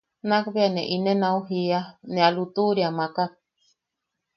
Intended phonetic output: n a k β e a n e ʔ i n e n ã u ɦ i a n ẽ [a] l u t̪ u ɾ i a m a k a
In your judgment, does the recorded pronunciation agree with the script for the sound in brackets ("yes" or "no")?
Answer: yes